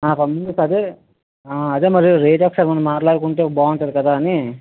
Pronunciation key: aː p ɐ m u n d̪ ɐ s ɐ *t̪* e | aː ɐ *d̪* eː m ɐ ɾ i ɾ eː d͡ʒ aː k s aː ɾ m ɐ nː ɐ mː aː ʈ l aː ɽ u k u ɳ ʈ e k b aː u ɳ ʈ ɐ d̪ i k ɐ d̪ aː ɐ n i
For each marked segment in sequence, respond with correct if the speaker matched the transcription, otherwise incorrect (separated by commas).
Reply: incorrect, correct